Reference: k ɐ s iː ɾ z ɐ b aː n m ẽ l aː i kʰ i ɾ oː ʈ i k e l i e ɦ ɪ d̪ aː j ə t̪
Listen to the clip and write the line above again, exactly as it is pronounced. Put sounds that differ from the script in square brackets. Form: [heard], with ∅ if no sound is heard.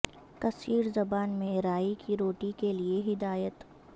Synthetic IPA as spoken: k ɐ s iː ɾ z ɐ b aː n m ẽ [ɾ] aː i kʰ i ɾ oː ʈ i k e l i e ɦ ɪ d̪ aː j ə t̪